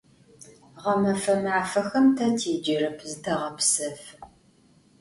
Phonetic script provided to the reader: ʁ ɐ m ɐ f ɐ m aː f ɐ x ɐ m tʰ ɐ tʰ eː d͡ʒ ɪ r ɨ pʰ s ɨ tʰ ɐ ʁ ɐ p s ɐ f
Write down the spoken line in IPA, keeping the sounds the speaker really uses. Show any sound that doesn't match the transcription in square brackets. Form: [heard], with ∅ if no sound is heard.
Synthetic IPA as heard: ʁ ɐ m ɐ f ɐ m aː f ɐ x ɐ m tʰ ɐ tʰ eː d͡ʒ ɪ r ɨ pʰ [z] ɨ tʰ ɐ ʁ ɐ p s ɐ f